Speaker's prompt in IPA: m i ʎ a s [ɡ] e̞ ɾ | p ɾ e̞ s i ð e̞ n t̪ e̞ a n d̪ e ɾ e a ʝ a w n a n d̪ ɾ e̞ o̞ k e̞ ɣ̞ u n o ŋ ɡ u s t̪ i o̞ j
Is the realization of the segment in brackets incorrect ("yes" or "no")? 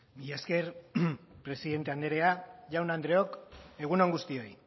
yes